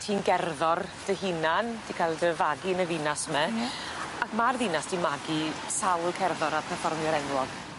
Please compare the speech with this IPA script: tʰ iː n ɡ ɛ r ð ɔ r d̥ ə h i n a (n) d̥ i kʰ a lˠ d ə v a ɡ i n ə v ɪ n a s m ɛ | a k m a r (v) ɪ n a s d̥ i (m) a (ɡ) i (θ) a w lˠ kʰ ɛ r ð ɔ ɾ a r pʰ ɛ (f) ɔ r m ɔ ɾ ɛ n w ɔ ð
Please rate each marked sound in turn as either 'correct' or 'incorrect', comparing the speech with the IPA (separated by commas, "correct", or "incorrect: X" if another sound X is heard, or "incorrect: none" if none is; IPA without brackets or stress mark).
correct, incorrect: ð, correct, correct, incorrect: s, correct